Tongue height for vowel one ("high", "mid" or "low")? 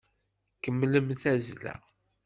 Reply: mid